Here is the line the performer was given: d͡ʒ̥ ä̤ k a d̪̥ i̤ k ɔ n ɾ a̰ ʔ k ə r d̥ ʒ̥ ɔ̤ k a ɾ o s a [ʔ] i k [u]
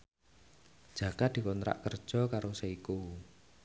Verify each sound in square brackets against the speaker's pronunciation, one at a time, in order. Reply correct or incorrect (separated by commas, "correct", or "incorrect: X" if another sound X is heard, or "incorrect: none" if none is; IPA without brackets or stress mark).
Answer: incorrect: none, correct